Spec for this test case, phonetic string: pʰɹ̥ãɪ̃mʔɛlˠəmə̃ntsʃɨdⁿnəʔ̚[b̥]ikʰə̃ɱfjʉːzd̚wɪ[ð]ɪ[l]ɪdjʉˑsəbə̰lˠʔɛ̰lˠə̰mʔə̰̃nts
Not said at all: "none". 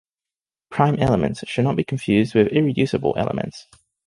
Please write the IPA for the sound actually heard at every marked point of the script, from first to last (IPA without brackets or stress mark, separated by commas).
b̥, ð, ɹ